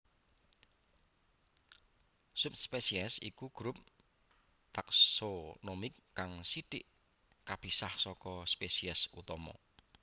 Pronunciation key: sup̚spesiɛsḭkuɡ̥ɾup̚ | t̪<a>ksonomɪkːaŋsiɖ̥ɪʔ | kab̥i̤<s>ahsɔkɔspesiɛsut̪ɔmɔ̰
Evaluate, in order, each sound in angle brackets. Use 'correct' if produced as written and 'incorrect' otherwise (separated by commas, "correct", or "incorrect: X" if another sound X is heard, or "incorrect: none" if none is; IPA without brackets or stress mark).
correct, correct